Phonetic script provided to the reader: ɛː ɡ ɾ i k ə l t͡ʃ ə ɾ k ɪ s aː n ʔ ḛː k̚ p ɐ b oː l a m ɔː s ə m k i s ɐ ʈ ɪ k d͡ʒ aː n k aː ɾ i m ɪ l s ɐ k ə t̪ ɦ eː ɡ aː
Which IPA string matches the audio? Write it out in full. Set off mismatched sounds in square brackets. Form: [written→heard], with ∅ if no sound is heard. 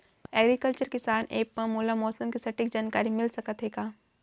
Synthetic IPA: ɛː ɡ ɾ i k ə l t͡ʃ ə ɾ k ɪ s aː n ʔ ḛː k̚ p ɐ [b→m] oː l a m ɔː s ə m k i s ɐ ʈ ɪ k d͡ʒ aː n k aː ɾ i m ɪ l s ɐ k ə t̪ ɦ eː ɡ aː